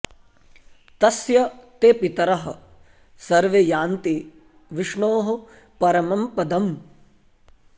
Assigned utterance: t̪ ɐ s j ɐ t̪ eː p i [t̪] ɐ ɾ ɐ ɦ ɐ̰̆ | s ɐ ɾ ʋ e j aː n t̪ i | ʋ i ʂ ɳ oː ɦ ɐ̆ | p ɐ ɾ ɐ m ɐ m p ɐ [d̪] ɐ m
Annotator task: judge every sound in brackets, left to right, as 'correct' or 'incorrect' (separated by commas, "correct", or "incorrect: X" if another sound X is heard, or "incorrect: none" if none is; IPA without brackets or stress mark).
correct, correct